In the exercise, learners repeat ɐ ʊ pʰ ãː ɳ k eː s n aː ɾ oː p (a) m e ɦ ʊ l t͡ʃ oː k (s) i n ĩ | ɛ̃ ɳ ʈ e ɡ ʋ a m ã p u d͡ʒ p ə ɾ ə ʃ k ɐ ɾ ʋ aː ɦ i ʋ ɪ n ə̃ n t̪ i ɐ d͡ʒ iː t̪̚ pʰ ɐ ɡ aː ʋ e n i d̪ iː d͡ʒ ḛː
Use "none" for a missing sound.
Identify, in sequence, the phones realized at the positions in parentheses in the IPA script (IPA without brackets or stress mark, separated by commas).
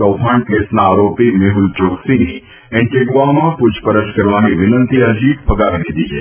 i, s